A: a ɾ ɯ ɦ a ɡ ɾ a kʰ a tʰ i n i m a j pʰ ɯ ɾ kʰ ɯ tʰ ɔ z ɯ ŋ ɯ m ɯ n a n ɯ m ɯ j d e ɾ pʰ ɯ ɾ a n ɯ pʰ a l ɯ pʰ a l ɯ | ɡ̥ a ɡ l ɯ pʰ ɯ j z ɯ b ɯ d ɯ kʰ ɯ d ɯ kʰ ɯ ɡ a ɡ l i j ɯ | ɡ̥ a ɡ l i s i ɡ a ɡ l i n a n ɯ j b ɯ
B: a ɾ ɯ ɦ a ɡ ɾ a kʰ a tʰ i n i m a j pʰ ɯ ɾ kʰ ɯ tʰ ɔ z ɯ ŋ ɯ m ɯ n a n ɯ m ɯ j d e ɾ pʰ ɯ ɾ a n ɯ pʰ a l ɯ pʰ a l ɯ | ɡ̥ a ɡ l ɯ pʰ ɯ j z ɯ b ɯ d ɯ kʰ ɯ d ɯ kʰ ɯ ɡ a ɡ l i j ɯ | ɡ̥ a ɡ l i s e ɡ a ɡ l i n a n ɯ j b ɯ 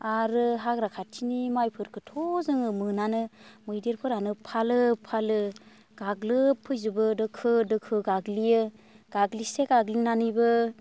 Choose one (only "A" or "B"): B